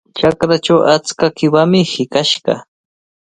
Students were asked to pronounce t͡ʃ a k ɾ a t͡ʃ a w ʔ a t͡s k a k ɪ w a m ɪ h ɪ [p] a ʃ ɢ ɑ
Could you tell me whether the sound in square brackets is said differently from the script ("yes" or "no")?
yes